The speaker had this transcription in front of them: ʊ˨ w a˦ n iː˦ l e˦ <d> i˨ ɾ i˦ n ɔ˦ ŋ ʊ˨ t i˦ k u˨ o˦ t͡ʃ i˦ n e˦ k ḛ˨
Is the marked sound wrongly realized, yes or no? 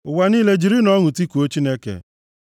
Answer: yes